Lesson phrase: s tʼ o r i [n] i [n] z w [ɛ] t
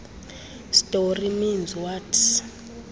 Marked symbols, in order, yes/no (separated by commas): no, yes, no